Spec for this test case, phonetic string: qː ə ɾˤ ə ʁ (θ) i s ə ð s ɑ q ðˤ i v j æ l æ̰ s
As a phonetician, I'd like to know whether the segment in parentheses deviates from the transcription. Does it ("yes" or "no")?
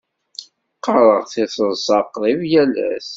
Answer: no